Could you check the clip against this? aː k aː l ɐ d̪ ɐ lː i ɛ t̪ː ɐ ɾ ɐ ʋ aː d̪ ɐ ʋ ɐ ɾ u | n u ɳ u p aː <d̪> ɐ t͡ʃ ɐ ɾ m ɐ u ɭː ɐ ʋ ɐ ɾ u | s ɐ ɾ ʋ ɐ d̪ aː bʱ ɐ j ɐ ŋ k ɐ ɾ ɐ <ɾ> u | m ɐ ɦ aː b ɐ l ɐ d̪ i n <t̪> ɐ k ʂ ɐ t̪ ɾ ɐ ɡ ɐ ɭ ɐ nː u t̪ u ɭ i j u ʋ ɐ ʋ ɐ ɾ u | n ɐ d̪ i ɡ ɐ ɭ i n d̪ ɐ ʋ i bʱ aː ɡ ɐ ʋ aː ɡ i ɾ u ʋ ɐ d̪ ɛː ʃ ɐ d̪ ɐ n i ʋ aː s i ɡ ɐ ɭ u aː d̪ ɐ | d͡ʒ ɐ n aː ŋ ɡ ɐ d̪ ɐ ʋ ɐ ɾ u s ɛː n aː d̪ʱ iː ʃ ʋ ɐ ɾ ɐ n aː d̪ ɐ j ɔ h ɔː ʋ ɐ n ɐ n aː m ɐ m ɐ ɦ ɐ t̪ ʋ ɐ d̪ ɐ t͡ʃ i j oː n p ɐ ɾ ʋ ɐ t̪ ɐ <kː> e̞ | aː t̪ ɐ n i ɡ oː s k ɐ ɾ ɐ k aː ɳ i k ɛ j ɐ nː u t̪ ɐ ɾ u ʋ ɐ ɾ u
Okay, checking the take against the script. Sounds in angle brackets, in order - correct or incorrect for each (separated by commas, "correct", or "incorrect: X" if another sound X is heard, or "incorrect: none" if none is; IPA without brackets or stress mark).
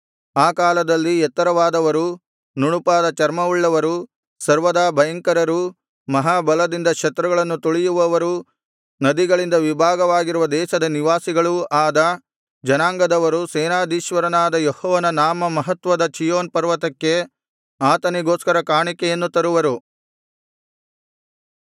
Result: correct, correct, incorrect: d̪, correct